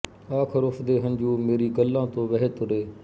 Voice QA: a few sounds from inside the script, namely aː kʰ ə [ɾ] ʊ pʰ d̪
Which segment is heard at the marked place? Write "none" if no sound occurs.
ɾ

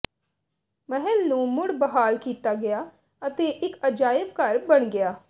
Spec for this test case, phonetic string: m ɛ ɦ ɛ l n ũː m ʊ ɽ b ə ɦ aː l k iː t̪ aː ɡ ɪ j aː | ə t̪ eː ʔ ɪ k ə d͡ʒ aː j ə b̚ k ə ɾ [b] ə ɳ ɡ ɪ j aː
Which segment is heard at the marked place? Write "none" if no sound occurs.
b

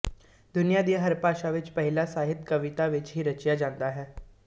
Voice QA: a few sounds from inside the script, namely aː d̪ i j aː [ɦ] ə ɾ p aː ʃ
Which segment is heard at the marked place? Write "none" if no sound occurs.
ɦ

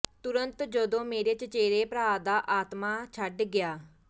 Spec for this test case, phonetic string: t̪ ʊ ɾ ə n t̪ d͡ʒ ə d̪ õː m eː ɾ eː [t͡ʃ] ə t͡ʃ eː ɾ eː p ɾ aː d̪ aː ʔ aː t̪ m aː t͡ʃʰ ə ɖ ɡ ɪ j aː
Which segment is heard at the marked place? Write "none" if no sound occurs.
t͡ʃ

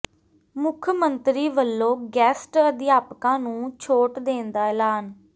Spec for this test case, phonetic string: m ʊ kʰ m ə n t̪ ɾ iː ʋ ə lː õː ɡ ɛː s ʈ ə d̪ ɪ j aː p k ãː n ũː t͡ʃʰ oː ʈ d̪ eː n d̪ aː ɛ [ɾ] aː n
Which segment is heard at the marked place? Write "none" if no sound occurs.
l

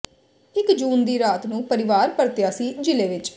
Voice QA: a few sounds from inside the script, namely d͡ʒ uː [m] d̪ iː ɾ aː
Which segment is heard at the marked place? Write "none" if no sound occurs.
n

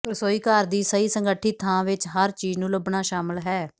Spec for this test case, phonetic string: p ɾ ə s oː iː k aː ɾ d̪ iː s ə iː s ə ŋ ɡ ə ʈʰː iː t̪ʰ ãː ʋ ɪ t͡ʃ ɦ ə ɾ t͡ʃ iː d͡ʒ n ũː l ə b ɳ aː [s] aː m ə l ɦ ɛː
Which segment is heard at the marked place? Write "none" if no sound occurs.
ʃ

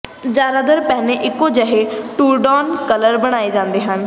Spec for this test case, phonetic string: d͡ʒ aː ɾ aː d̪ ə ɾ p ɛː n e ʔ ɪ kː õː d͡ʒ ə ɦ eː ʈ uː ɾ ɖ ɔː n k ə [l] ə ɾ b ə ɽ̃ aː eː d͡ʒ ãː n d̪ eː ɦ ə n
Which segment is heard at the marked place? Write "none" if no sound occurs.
l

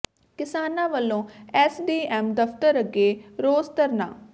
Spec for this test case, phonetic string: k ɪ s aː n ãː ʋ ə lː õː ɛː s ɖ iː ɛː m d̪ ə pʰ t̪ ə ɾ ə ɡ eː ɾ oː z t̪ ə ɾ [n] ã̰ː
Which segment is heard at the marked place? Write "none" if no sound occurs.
n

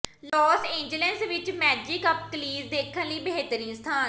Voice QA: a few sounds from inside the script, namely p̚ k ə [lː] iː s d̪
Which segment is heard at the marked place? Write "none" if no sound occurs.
l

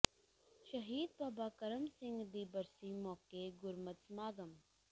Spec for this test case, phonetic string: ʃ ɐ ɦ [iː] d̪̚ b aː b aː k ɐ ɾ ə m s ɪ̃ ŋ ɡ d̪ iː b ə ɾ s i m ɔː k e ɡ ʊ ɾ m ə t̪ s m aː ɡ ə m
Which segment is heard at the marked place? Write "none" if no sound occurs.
iː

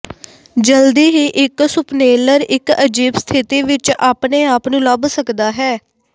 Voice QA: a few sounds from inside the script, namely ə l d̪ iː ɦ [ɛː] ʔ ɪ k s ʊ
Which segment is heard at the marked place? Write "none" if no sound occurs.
iː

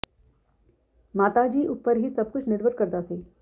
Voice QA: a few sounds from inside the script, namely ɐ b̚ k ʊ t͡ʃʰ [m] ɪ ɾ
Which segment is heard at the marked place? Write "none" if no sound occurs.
n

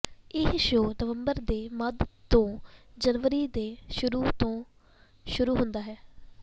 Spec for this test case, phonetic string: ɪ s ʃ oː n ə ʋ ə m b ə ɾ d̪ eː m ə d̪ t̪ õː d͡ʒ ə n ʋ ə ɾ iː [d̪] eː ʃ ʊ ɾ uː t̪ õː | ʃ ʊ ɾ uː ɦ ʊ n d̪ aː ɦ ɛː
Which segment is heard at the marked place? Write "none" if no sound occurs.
d̪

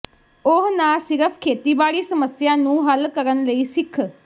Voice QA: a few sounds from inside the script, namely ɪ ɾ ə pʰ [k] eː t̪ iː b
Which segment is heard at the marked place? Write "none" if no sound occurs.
kʰ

